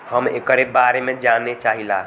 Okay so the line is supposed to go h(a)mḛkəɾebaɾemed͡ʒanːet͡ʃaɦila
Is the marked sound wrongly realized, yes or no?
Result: yes